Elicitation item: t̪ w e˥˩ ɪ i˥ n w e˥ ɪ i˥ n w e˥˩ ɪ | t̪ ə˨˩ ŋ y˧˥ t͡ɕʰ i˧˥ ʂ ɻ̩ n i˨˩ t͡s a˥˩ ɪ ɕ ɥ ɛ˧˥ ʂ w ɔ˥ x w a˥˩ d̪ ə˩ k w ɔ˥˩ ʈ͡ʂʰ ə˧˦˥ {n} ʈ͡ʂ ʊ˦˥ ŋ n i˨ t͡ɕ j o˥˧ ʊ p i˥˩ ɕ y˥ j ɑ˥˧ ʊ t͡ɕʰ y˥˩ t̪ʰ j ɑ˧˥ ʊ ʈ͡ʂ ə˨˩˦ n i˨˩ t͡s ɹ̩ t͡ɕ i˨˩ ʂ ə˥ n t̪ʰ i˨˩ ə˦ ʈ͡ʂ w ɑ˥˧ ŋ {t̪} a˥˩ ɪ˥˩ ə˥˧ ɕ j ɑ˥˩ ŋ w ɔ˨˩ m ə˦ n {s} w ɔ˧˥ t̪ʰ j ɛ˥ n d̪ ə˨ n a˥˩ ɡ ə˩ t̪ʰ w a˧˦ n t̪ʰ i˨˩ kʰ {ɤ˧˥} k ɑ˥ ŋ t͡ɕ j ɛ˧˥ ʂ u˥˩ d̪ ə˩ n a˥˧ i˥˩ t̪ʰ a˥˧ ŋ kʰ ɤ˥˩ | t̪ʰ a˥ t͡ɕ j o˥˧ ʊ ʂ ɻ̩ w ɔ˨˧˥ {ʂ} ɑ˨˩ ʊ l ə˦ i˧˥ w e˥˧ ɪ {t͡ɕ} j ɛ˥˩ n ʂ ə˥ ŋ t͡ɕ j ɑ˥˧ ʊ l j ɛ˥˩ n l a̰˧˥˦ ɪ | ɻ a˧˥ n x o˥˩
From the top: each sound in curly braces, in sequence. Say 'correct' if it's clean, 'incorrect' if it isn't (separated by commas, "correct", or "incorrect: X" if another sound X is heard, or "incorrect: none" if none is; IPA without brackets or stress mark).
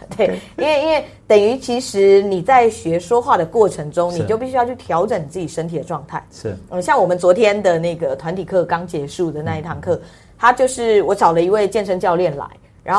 incorrect: ŋ, incorrect: t̪ʰ, incorrect: t͡s, incorrect: ɤ˥˩, incorrect: ʈ͡ʂ, correct